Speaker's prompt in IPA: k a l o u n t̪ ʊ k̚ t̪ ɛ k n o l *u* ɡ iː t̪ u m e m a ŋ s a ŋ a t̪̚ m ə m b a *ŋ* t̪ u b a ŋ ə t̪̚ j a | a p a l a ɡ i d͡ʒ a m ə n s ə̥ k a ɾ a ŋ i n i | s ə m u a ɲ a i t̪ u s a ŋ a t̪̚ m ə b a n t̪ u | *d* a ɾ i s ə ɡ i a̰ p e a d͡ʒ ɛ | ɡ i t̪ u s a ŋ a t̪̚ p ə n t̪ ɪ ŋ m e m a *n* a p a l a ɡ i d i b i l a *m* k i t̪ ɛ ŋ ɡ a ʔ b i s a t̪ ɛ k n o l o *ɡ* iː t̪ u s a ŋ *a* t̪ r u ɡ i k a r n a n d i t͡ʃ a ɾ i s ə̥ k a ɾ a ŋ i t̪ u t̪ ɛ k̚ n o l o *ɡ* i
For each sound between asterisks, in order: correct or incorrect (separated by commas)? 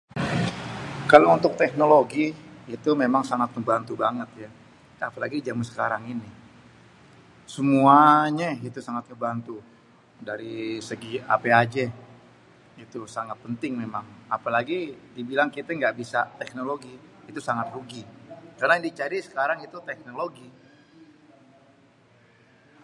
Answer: incorrect, incorrect, correct, incorrect, incorrect, correct, correct, correct